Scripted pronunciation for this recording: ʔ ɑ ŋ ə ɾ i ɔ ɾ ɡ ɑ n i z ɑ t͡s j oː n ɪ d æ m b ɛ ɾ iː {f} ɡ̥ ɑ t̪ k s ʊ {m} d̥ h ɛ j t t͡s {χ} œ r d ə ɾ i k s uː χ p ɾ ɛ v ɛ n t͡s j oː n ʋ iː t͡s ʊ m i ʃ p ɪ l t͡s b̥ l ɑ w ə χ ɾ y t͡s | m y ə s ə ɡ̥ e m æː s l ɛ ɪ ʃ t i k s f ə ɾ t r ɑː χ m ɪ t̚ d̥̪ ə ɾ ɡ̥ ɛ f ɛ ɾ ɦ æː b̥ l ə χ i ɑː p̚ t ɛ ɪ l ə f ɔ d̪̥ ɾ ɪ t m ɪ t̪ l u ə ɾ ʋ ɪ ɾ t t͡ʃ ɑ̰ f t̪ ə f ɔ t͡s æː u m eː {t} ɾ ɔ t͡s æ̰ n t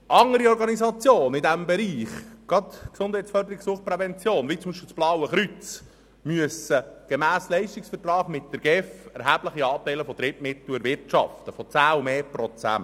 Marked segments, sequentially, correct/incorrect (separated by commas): incorrect, incorrect, incorrect, incorrect